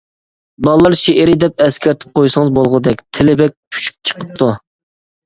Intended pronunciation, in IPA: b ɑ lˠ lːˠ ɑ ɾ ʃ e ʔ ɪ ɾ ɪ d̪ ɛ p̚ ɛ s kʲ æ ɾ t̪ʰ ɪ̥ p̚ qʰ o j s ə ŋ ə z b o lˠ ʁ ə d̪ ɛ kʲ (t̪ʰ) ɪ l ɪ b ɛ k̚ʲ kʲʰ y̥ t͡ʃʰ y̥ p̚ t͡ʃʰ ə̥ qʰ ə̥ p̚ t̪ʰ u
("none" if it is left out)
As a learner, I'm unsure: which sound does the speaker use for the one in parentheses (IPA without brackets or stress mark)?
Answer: t̪ʰ